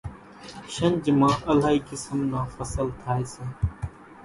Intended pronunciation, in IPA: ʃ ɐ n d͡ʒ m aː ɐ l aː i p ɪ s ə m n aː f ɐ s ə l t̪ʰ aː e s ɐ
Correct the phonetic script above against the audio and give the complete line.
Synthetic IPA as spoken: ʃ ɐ n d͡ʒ m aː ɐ l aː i k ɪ s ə m n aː f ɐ s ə l t̪ʰ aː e s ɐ